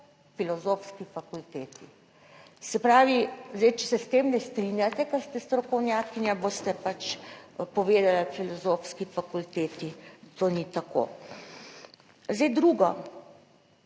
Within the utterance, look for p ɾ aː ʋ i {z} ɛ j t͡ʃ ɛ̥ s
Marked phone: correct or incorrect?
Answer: correct